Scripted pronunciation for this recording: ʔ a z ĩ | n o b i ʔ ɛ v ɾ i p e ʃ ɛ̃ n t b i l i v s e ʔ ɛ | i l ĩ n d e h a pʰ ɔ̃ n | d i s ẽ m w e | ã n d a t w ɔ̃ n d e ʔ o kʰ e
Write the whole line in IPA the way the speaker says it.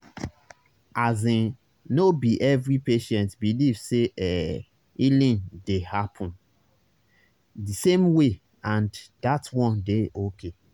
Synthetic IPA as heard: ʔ a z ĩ | n o b i ʔ ɛ v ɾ i p e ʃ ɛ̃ n t b i l i v s e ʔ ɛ | i l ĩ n d e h a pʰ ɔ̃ n | d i s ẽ m w e | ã n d a t w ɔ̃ n d e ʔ o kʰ e